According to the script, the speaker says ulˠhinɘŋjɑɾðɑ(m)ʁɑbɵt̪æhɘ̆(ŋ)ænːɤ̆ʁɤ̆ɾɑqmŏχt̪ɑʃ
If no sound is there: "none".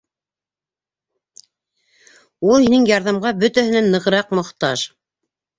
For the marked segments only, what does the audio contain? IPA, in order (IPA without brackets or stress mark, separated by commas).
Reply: m, n